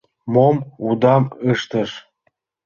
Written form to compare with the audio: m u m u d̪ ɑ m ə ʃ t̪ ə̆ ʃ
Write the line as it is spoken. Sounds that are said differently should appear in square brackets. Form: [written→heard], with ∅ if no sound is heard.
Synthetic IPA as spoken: m [u→o] m u d̪ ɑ m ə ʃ t̪ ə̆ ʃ

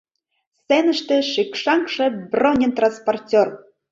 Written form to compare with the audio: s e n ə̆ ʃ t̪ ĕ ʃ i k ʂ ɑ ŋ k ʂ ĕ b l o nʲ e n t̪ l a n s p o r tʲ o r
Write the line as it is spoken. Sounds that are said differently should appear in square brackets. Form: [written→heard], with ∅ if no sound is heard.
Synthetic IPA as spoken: s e n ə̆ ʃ t̪ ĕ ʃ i k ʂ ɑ ŋ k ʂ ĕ b [l→r] o nʲ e n t̪ [l→r] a n s p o r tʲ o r

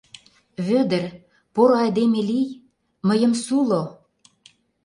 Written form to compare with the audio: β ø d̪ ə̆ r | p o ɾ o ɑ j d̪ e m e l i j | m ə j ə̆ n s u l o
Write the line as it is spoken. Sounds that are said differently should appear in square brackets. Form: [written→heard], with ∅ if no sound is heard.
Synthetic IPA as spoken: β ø d̪ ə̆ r | p o ɾ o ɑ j d̪ e m e l i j | m ə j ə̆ [n→m] s u l o

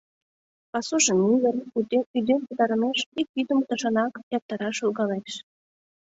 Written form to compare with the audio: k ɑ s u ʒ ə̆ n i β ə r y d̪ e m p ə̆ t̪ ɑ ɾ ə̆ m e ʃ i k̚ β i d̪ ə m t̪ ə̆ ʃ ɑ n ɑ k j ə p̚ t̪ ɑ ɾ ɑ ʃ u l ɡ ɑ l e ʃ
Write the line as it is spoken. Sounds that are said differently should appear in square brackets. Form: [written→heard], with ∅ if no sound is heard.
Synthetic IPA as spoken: [k→p] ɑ s u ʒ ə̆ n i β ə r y d̪ e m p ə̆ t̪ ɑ ɾ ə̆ m e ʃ i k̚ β i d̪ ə m t̪ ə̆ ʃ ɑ n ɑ k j [ə→ɑ] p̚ t̪ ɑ ɾ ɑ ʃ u l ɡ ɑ l e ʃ

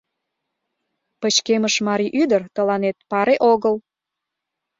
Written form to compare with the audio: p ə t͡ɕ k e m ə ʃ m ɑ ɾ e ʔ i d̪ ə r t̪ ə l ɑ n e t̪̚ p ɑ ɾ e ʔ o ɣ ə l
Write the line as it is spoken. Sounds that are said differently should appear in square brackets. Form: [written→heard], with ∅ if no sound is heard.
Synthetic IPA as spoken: p ə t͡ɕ k e m ə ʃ m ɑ ɾ [e→i] ʔ [i→y] d̪ ə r t̪ ə l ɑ n e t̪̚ p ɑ ɾ e ʔ o ɣ ə l

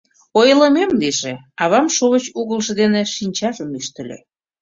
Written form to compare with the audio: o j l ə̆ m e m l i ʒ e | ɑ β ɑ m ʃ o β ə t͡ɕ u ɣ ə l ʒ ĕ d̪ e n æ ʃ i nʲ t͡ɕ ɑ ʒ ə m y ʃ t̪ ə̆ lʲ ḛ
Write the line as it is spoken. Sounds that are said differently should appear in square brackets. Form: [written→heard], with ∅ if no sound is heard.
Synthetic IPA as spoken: o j l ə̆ m e m l i ʒ e | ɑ β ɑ m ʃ o β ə t͡ɕ u ɣ ə l ʒ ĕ d̪ e n [æ→e] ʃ i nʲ t͡ɕ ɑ ʒ ə m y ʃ t̪ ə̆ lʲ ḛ

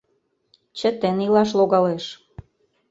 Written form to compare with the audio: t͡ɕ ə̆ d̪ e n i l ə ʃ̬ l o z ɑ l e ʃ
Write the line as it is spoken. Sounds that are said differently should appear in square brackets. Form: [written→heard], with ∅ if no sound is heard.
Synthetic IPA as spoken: t͡ɕ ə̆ [d̪→t̪] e n i l [ə→ɑ] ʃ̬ l o [z→ɣ] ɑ l e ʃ

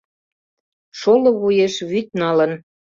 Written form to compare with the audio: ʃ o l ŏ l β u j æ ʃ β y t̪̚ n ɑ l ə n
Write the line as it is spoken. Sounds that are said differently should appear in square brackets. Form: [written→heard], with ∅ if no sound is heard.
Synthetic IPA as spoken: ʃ o l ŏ [l→∅] β u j [æ→e] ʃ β y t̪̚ n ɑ l ə n

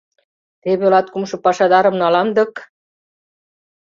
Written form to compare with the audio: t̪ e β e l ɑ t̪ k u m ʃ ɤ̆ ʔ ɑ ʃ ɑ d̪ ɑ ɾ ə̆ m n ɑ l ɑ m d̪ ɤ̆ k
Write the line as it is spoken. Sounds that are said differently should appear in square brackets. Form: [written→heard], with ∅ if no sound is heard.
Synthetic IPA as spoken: t̪ e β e l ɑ t̪ k u m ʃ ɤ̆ [ʔ→p] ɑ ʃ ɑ d̪ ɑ ɾ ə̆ m n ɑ l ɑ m d̪ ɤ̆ k

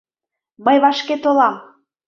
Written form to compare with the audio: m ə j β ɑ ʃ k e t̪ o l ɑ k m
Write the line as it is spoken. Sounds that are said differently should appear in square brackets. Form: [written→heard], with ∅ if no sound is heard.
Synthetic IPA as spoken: m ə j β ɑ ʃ k e t̪ o l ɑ [k→∅] m

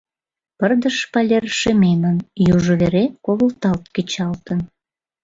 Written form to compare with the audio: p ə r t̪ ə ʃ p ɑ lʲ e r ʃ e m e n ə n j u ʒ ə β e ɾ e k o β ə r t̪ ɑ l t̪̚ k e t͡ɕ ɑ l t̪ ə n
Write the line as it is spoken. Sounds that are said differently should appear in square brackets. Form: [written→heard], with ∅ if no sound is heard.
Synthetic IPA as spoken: p ə r [t̪→d̪] ə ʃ p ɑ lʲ e r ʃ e m e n ə n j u ʒ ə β e ɾ e k o β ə [r→l] t̪ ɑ l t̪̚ k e t͡ɕ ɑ l t̪ ə n

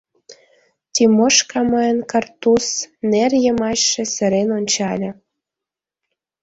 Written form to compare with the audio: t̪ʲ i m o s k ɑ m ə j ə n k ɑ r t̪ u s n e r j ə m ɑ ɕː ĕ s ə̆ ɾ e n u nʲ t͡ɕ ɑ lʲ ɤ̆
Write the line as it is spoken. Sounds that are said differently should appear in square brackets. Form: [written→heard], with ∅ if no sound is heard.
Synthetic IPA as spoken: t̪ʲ i m o [s→ʃ] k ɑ m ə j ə n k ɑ r t̪ u s n e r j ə m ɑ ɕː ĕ s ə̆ ɾ e n [u→o] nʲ t͡ɕ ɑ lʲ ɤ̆

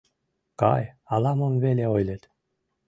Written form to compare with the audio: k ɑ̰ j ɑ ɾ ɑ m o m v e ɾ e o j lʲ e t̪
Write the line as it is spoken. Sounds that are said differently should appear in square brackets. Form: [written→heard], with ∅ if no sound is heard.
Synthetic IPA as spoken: k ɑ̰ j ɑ [ɾ→l] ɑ m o m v e [ɾ→l] e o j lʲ e t̪

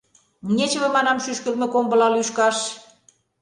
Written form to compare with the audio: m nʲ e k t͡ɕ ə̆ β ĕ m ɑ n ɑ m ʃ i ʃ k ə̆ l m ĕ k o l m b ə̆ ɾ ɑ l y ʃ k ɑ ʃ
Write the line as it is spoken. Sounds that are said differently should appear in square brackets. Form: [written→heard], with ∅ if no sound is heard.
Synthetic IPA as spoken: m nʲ e [k→∅] t͡ɕ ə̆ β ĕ m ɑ n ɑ m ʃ [i→y] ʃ k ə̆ l m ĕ k o [l→∅] m b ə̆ [ɾ→l] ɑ l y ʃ k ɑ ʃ

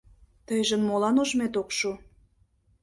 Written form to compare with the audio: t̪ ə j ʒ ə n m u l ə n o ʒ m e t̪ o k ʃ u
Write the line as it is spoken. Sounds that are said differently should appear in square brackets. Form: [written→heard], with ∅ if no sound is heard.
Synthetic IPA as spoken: t̪ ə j ʒ ə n m [u→o] l [ə→ɑ] n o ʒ m e t̪ o k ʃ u

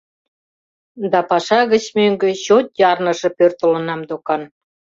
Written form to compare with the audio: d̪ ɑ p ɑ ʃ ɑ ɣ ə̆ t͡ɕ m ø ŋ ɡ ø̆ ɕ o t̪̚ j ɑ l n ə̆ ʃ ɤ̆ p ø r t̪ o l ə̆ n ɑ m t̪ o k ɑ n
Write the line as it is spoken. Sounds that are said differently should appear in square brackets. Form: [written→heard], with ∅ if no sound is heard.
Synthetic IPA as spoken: d̪ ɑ p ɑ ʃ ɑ ɣ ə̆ t͡ɕ m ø ŋ ɡ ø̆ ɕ o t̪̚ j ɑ [l→r] n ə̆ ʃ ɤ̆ p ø r t̪ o l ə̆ n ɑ m [t̪→d̪] o k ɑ n

